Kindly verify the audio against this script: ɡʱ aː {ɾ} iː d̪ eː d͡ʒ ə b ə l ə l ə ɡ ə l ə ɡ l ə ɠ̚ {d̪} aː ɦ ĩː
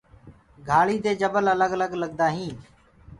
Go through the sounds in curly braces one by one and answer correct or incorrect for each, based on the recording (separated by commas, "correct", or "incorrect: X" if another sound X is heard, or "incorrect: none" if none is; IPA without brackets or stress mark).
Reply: incorrect: ɭ, correct